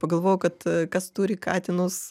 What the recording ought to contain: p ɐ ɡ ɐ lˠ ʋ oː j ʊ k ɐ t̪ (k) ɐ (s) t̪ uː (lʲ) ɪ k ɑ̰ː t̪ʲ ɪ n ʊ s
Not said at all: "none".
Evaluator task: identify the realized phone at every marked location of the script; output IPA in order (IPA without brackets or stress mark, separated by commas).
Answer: k, s, ɾʲ